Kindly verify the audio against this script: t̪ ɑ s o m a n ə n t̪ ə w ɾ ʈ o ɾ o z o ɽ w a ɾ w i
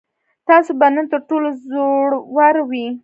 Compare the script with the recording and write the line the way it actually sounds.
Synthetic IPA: t̪ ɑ s o b a n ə n t̪ ə ɾ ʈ o l o z o ɽ w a ɾ w i